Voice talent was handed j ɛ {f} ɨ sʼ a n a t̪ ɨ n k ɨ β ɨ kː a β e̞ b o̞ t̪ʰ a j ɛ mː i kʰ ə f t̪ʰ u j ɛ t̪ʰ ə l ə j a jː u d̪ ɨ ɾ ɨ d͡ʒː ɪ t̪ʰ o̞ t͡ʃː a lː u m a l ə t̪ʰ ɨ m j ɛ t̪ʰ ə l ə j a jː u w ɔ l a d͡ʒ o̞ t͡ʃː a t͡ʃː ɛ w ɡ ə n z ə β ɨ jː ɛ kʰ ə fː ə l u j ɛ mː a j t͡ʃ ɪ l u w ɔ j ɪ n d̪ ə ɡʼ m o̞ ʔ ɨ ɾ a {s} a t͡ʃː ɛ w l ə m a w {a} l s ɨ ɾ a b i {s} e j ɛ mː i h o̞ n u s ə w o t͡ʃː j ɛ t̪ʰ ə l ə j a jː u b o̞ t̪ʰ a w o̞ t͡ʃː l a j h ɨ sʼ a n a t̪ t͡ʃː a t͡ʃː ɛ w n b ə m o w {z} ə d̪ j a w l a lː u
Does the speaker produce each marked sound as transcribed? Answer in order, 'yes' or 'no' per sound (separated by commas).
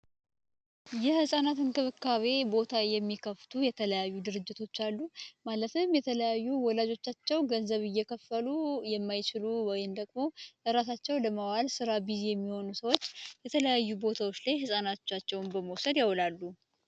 no, yes, yes, no, no